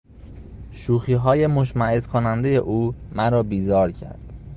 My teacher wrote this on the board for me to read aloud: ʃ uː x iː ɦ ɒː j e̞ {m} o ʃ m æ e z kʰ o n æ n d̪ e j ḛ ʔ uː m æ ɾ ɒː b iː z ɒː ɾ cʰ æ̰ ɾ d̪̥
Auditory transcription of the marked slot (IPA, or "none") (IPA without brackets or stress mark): m